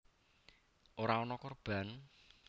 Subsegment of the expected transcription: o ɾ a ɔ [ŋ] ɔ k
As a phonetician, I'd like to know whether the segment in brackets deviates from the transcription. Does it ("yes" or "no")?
yes